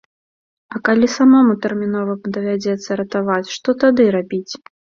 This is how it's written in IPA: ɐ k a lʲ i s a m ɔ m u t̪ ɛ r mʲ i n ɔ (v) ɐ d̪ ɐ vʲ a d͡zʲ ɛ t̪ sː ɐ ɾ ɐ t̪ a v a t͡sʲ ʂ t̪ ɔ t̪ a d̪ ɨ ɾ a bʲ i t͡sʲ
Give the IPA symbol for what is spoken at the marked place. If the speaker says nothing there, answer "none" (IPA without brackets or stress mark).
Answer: v